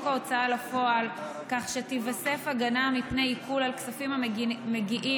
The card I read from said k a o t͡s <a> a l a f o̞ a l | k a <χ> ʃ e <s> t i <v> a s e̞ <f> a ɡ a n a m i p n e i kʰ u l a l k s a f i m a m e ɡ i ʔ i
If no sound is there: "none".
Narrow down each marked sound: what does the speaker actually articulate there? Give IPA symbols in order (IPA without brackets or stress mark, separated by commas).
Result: a, χ, none, v, f